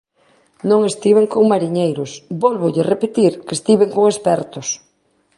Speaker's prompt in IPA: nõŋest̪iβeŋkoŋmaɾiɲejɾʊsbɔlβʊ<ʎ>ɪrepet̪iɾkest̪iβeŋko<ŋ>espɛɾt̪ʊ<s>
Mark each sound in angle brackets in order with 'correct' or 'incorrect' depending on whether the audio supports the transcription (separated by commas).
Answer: correct, correct, correct